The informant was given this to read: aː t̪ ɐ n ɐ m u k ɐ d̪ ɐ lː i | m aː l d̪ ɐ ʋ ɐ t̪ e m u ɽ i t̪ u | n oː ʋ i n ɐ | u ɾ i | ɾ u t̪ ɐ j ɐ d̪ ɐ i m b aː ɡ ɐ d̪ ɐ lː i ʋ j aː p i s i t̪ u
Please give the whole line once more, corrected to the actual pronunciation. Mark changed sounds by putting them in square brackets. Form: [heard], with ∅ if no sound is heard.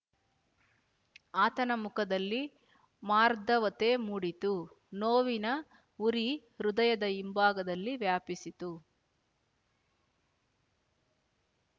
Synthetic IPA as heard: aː t̪ ɐ n ɐ m u k ɐ d̪ ɐ lː i | m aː [ɾ] d̪ ɐ ʋ ɐ t̪ e m u ɽ i t̪ u | n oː ʋ i n ɐ | u ɾ i | ɾ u [d̪] ɐ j ɐ d̪ ɐ i m b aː ɡ ɐ d̪ ɐ lː i ʋ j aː p i s i t̪ u